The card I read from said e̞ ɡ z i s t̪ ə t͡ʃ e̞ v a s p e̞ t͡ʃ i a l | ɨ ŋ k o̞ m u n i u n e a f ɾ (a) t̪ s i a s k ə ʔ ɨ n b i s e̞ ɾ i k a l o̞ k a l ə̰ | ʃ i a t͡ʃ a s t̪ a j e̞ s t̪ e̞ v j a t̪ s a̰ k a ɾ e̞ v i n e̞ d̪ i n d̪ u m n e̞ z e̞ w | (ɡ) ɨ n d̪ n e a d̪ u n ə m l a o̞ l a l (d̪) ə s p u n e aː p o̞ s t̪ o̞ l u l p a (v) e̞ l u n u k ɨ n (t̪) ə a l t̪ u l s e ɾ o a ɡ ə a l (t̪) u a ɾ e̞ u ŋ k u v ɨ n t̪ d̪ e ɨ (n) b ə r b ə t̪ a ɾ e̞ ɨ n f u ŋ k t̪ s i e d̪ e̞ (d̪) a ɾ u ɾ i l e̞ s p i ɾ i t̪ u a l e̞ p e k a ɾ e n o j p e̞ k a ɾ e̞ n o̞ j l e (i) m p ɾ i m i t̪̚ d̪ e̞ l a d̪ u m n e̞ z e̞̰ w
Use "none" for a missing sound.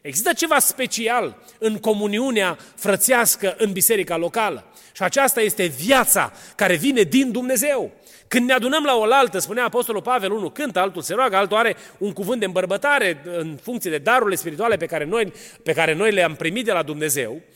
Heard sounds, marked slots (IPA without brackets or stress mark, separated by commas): ə, k, t̪, v, t̪, t̪, m, d̪, a